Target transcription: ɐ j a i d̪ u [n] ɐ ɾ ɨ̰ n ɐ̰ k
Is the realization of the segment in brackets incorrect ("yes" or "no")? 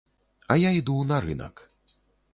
no